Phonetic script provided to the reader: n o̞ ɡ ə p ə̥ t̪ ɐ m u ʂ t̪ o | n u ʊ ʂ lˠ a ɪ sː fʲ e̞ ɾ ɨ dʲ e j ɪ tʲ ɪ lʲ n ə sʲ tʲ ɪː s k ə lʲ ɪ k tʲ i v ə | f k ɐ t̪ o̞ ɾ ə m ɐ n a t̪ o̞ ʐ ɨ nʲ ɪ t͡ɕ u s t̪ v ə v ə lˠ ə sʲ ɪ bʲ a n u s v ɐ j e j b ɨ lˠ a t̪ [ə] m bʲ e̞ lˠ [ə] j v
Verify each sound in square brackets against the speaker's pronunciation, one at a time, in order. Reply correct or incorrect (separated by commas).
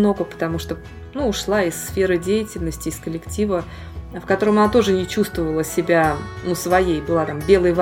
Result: incorrect, correct